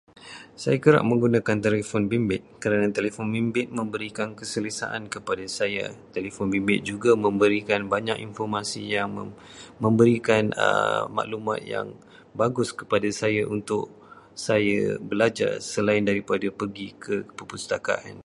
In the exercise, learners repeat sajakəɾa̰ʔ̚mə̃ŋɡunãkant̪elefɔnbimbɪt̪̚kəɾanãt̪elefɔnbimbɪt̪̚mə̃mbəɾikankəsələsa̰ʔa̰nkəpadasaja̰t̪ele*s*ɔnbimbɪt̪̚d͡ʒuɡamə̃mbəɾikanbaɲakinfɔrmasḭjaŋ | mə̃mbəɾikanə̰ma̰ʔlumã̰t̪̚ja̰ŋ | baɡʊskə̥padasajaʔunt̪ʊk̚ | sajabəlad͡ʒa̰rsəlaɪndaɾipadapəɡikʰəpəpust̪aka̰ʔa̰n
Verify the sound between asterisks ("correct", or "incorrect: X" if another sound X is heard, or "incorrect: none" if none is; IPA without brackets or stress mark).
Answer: incorrect: f